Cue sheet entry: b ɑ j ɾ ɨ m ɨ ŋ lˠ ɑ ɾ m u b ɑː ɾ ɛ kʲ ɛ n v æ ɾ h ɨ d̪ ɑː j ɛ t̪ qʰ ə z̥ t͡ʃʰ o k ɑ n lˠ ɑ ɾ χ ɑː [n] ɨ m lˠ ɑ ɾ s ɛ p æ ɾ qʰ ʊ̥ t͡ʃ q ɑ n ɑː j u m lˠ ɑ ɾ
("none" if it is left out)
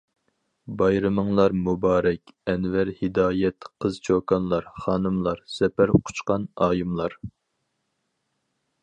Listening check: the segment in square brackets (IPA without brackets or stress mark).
n